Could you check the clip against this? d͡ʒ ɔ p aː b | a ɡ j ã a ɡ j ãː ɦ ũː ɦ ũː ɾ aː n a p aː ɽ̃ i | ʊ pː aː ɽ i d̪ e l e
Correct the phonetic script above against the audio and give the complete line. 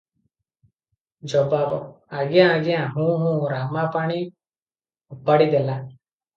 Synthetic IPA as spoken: d͡ʒ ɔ b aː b | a ɡ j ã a ɡ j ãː ɦ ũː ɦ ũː ɾ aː m a p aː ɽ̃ i | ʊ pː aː ɽ i d̪ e l a